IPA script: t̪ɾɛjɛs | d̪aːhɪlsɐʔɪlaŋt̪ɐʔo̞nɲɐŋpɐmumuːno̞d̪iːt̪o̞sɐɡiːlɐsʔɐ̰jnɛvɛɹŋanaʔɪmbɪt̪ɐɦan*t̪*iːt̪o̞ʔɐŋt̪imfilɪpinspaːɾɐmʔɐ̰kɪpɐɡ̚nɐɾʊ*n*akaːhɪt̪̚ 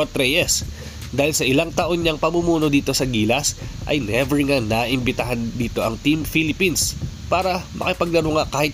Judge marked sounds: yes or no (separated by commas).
no, no